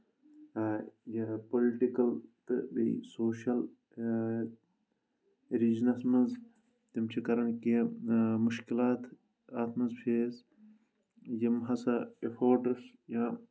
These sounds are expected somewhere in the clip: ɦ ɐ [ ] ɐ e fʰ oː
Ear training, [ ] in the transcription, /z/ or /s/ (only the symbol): s